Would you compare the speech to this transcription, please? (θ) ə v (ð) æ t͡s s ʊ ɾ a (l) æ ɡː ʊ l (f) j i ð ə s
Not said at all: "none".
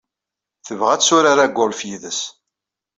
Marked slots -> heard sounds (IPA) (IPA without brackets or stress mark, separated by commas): θ, ʁ, ɾ, f